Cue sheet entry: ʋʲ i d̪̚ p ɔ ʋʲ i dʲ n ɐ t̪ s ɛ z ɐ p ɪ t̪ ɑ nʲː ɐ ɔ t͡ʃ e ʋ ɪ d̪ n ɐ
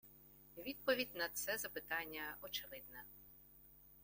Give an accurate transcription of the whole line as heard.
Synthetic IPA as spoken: ʋʲ i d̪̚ p ɔ ʋʲ i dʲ n ɐ t̪ s ɛ z ɐ p ɪ t̪ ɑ nʲː ɐ ɔ t͡ʃ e ʋ ɪ d̪ n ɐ